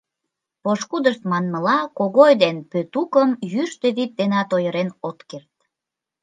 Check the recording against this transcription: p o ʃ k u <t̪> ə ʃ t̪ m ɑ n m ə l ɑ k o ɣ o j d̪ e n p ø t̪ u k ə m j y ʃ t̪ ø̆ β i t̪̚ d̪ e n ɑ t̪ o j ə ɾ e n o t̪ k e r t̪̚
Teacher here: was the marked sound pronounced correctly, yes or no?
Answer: no